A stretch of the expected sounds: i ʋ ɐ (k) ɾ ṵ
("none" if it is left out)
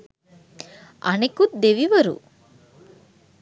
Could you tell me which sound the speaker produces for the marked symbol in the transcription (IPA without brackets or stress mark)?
none